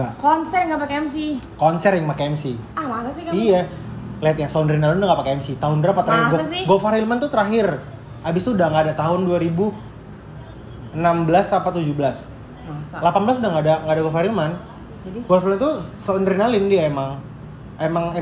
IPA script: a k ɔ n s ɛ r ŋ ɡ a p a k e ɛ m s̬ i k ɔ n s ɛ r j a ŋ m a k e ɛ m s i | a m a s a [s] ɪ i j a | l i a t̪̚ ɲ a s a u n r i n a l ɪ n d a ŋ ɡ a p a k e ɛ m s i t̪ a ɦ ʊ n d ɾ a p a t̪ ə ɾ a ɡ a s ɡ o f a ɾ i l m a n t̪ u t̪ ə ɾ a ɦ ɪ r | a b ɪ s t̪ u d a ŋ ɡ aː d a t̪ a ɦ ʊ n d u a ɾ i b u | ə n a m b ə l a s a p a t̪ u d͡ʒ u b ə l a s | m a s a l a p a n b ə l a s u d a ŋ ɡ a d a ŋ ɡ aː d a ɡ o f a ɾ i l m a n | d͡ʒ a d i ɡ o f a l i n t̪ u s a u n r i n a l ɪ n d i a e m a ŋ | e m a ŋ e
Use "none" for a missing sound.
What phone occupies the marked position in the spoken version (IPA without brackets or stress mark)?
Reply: s